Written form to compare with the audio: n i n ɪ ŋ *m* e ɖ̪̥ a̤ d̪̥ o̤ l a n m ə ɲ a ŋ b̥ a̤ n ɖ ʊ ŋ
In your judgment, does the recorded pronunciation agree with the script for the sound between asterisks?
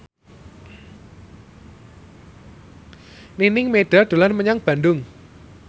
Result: yes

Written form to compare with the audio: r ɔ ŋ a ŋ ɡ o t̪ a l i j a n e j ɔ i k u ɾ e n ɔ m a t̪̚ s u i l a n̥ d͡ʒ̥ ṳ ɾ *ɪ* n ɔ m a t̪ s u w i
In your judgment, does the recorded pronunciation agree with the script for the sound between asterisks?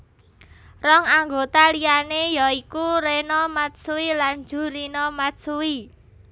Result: no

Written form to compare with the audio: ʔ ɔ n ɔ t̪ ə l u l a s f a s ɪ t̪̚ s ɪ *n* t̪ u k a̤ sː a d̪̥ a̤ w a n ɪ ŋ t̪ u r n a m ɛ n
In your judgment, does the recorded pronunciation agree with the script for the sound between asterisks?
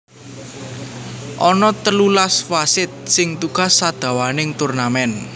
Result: no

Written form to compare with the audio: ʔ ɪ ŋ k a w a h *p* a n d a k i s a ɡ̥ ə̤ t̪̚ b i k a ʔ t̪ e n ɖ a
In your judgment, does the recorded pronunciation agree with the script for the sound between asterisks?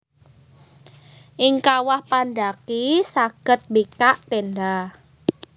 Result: yes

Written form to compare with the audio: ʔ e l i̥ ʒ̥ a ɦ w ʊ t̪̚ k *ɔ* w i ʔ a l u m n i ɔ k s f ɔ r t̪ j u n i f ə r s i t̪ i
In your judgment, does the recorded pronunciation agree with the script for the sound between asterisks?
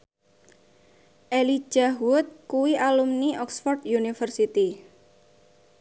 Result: no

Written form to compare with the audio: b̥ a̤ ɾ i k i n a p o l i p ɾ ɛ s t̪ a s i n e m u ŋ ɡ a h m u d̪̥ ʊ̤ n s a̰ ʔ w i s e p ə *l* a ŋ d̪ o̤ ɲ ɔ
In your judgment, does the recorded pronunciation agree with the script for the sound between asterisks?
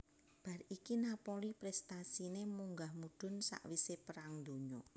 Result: no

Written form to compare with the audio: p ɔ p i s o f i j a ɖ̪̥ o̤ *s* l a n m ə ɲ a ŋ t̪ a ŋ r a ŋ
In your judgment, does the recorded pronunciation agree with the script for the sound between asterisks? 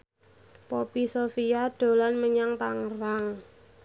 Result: no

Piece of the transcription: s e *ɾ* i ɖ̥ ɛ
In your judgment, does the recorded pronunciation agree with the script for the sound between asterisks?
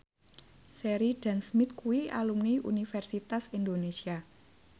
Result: yes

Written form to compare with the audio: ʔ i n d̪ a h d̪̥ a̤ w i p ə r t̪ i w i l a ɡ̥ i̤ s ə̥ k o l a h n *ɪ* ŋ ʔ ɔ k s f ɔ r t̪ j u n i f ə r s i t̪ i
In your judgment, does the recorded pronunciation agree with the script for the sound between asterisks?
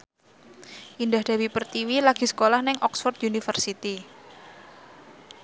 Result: yes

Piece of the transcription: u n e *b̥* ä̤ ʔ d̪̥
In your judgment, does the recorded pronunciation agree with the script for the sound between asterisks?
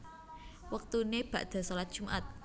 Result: yes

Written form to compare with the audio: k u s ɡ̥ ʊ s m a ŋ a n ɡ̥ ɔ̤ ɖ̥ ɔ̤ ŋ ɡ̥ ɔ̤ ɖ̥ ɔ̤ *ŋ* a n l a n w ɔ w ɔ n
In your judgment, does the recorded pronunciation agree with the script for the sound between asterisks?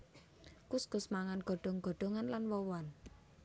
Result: yes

